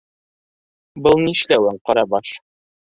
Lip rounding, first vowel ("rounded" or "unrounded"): unrounded